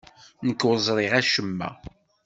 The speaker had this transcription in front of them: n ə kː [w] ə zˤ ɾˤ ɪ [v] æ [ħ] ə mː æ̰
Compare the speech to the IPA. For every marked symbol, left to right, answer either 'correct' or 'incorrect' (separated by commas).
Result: correct, incorrect, incorrect